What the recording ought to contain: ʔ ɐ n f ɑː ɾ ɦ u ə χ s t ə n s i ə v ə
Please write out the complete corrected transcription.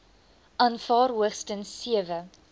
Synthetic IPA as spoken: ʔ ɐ n f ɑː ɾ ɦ u ə χ s t ə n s i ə v ə